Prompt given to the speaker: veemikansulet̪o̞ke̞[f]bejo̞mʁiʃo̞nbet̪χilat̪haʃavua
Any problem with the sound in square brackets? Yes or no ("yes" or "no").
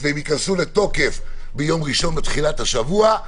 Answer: no